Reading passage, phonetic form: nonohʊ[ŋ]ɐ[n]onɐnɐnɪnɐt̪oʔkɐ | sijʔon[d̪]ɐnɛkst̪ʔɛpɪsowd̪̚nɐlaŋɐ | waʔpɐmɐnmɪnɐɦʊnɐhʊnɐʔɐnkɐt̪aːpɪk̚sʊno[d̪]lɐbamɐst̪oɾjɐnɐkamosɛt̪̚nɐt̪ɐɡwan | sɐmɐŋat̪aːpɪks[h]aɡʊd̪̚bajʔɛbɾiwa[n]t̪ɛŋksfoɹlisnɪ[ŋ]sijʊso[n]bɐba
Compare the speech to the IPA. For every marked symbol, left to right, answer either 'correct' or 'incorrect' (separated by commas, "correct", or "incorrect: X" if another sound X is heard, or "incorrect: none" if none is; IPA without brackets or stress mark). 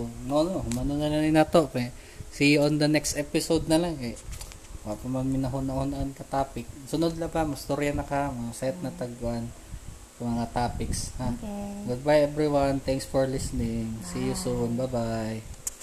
incorrect: m, correct, correct, correct, correct, correct, correct, correct